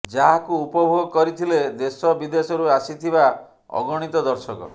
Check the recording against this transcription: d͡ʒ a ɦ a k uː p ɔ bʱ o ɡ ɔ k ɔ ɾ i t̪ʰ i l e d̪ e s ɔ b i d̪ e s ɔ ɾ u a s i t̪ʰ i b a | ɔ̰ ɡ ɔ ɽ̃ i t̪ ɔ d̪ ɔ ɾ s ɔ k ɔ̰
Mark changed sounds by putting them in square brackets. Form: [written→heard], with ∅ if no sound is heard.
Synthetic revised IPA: d͡ʒ a ɦ a k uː p ɔ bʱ o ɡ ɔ k ɔ ɾ i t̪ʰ i l e d̪ e s ɔ b i d̪ e s ɔ ɾ u a s i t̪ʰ i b a | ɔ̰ ɡ ɔ ɽ̃ i t̪ ɔ d̪ ɔ ɾ s ɔ k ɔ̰

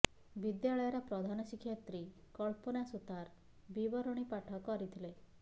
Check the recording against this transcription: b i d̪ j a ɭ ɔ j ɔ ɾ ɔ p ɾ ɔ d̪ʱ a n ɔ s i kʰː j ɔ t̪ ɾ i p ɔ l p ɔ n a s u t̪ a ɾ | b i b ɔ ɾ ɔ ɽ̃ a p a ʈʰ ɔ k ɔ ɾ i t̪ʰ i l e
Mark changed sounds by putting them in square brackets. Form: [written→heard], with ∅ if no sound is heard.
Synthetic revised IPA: b i d̪ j a ɭ ɔ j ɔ ɾ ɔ p ɾ ɔ d̪ʱ a n ɔ s i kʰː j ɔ t̪ ɾ i [p→k] ɔ [l→ɭ] p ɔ n a s u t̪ a ɾ | b i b ɔ ɾ ɔ ɽ̃ [a→i] p a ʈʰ ɔ k ɔ ɾ i t̪ʰ i l e

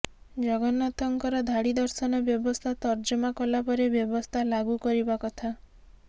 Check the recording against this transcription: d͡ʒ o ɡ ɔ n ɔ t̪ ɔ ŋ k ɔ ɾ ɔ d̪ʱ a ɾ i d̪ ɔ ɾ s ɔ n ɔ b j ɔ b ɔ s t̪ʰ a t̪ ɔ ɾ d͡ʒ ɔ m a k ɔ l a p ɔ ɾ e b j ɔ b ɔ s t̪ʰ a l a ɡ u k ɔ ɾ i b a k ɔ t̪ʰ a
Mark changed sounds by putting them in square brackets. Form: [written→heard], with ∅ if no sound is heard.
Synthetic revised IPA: d͡ʒ [o→ɔ] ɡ ɔ n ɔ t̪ ɔ ŋ k ɔ ɾ ɔ d̪ʱ a [ɾ→ɽ] i d̪ ɔ ɾ s ɔ n ɔ b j ɔ b ɔ s t̪ʰ a t̪ ɔ ɾ d͡ʒ ɔ m a k ɔ l a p ɔ ɾ e b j ɔ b ɔ s t̪ʰ a l a ɡ u k ɔ ɾ i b a k ɔ t̪ʰ a

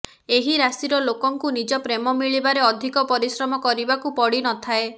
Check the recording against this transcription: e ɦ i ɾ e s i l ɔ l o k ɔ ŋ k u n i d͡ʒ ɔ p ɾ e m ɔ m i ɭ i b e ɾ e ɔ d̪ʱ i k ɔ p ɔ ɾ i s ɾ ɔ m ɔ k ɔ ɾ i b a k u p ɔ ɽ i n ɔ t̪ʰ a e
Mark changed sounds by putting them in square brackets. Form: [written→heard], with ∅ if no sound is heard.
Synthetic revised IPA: e ɦ i ɾ [e→a] s i [l→ɾ] ɔ l o k ɔ ŋ k u n i d͡ʒ ɔ p ɾ e m ɔ m i ɭ i b [e→a] ɾ e ɔ d̪ʱ i k ɔ p ɔ ɾ i s ɾ ɔ m ɔ k ɔ ɾ i b a k u p ɔ ɽ i n ɔ t̪ʰ a e

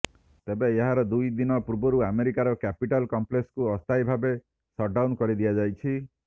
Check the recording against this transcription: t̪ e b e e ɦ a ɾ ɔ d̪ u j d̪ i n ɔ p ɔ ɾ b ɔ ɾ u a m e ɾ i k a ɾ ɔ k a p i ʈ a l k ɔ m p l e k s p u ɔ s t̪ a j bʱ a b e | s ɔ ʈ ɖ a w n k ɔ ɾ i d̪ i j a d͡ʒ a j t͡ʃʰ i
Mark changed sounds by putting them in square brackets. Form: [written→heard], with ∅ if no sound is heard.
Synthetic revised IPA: t̪ e b e e ɦ a ɾ ɔ d̪ u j d̪ i n ɔ p [ɔ→u] ɾ b ɔ ɾ u a m e ɾ i k a ɾ ɔ k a p i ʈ a l k ɔ m p l e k s [p→k] u ɔ s t̪ a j bʱ a b e | s ɔ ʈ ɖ a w n k ɔ ɾ i d̪ i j a d͡ʒ a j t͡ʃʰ i

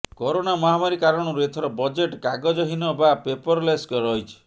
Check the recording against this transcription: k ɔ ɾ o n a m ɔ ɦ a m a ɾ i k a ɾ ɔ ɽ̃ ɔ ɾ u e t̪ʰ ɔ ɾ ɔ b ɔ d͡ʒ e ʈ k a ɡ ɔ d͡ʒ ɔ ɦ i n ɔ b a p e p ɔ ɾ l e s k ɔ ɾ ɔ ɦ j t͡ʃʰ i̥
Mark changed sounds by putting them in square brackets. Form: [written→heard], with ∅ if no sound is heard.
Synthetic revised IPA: k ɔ ɾ o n a m ɔ ɦ a m a ɾ i k a ɾ ɔ ɽ̃ ɔ ɾ u e t̪ʰ ɔ ɾ ɔ b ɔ d͡ʒ e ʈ k a ɡ ɔ d͡ʒ ɔ ɦ i n ɔ b a p e p ɔ ɾ l e s k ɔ ɾ ɔ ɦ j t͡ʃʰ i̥

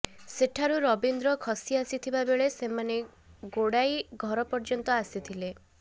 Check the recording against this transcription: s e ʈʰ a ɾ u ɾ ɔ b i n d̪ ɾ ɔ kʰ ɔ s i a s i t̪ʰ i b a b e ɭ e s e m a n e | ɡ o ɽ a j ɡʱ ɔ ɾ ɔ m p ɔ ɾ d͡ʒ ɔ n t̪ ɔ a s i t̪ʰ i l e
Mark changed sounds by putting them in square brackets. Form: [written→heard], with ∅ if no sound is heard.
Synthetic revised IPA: s e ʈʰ a ɾ u ɾ ɔ b i n d̪ ɾ ɔ kʰ ɔ s i a s i t̪ʰ i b a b e ɭ e s e m a n e | ɡ o ɽ a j ɡʱ ɔ ɾ ɔ [m→∅] p ɔ ɾ d͡ʒ ɔ n t̪ ɔ a s i t̪ʰ i l e

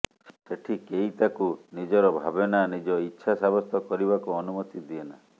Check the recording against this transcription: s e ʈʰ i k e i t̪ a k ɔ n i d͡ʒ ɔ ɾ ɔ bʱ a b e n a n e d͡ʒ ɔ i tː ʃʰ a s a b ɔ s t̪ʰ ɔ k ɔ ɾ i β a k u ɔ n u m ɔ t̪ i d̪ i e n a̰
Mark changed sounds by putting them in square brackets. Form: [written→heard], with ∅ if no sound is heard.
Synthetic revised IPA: s e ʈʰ i k e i t̪ a k [ɔ→u] n i d͡ʒ ɔ ɾ ɔ bʱ a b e n a n [e→i] d͡ʒ ɔ i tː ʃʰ a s a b ɔ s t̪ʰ ɔ k ɔ ɾ i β a k u ɔ n u m ɔ t̪ i d̪ i e n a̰

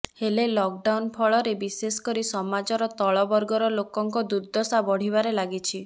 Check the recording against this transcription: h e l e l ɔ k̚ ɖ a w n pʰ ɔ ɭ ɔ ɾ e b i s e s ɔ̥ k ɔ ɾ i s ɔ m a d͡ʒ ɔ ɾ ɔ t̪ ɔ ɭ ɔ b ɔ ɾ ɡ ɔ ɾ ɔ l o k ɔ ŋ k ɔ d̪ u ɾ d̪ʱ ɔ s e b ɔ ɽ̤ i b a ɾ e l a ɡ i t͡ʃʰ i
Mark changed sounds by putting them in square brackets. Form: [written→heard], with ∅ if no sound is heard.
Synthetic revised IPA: h e l e l ɔ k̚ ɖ a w n pʰ ɔ ɭ ɔ ɾ e b i s e s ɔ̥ k ɔ ɾ i s ɔ m a d͡ʒ ɔ ɾ ɔ t̪ ɔ ɭ ɔ b ɔ ɾ ɡ ɔ ɾ ɔ l o k ɔ ŋ k ɔ d̪ u ɾ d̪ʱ ɔ s [e→a] b ɔ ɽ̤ i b a ɾ e l a ɡ i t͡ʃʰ i

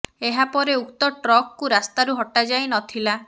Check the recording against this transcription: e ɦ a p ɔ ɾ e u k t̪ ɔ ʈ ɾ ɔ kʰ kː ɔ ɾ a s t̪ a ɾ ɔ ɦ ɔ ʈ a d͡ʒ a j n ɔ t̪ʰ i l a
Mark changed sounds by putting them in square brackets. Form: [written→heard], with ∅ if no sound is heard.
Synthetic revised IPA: e ɦ a p ɔ ɾ e u k t̪ ɔ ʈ ɾ ɔ [kʰ→k] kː [ɔ→u] ɾ a s t̪ a ɾ [ɔ→u] ɦ ɔ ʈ a d͡ʒ a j n ɔ t̪ʰ i l a

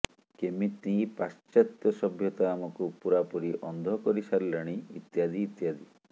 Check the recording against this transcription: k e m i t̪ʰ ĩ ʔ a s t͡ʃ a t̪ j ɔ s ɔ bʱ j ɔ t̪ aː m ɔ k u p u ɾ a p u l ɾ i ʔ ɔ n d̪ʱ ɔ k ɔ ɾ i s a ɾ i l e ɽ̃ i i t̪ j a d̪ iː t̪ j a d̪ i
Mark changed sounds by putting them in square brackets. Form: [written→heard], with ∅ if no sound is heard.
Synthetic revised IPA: k e m i [t̪ʰ→t̪] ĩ [ʔ→p] a s t͡ʃ a t̪ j ɔ s ɔ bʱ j ɔ t̪ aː m ɔ k u p u ɾ a p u [l→∅] ɾ i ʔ ɔ n d̪ʱ ɔ k ɔ ɾ i s a ɾ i l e ɽ̃ i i t̪ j a d̪ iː t̪ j a d̪ i

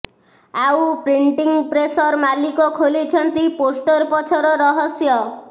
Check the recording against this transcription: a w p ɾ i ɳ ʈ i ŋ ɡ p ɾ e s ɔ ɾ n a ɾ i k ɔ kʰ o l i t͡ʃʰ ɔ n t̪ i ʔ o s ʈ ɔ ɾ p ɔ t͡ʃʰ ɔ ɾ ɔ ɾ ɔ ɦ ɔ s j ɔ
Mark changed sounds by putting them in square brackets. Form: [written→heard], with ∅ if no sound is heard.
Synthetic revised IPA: a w p ɾ i ɳ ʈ i ŋ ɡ p ɾ e s ɔ ɾ [n→m] a [ɾ→l] i k ɔ kʰ o l i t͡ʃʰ ɔ n t̪ i [ʔ→p] o s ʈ ɔ ɾ p ɔ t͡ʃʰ ɔ ɾ ɔ ɾ ɔ ɦ ɔ s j ɔ

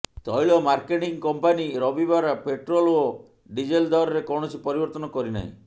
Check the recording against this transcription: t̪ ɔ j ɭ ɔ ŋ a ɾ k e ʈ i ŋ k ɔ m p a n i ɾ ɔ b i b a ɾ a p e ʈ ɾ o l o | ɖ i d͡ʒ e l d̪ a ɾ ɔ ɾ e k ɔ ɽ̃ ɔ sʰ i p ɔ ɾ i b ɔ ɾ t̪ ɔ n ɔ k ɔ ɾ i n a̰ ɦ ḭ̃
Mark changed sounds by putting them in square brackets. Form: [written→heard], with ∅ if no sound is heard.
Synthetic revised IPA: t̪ ɔ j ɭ ɔ [ŋ→m] a ɾ k e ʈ i ŋ k ɔ m p a n i ɾ ɔ b i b a ɾ a p e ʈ ɾ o l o | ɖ i d͡ʒ e l d̪ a ɾ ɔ ɾ e k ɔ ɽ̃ ɔ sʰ i p ɔ ɾ i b ɔ ɾ t̪ ɔ n ɔ k ɔ ɾ i n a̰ ɦ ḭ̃

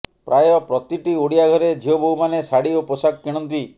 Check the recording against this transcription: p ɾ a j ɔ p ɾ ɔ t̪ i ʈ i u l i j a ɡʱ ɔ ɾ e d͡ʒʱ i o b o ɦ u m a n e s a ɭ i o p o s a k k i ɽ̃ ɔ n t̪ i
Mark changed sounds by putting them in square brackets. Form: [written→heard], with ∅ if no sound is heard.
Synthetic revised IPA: p ɾ a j ɔ p ɾ ɔ t̪ i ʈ i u [l→ɽ] i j a ɡʱ ɔ ɾ e d͡ʒʱ i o b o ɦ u m a n e s a [ɭ→ɽ] i o p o s a k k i ɽ̃ ɔ n t̪ i

